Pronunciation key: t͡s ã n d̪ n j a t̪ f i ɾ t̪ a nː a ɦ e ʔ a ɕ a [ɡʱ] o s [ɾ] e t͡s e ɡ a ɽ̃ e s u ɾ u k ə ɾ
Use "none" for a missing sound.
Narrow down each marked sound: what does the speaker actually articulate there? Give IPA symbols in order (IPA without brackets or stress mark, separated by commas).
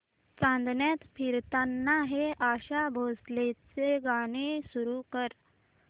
bʱ, l